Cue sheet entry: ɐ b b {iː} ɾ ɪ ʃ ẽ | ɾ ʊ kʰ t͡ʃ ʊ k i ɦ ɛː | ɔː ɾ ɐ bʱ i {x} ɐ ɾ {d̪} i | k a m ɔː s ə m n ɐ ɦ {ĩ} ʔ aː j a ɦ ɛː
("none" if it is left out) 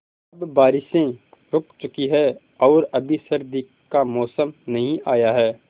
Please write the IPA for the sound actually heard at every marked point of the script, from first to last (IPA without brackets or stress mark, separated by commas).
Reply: aː, s, d̪, ĩ